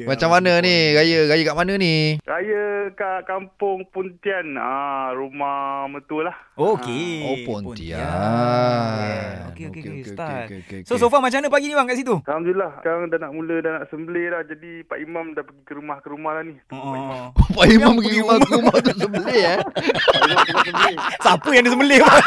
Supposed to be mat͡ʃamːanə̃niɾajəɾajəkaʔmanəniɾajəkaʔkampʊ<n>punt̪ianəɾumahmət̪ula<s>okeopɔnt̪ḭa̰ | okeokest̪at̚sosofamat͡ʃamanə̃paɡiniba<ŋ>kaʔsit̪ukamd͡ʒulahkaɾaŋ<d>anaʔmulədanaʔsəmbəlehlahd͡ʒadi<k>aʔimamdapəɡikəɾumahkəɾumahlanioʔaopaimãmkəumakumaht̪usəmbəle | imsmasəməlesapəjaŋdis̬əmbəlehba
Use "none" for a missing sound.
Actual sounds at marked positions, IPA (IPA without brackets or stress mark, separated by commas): ŋ, h, ŋ, d, p